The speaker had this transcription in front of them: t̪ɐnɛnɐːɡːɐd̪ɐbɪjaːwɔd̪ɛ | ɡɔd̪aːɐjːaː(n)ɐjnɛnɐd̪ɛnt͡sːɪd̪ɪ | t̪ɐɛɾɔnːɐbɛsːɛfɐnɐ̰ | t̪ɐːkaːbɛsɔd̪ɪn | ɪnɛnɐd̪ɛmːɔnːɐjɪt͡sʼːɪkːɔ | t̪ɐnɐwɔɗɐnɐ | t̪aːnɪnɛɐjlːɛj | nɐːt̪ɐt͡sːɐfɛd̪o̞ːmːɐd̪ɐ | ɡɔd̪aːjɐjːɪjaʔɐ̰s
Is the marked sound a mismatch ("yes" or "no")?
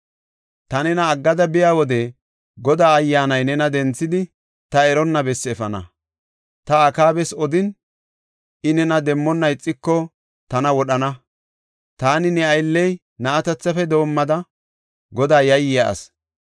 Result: no